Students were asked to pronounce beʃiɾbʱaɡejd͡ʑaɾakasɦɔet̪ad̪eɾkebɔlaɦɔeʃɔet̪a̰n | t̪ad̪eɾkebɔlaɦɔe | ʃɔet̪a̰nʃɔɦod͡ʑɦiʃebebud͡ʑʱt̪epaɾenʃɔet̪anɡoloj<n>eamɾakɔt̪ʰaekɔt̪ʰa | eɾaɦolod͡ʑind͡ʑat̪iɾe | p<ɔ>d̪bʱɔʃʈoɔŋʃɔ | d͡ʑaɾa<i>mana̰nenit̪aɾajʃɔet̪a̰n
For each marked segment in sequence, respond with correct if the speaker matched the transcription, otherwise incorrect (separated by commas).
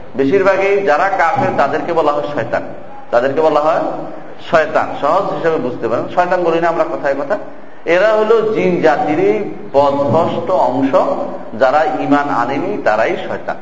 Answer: correct, correct, correct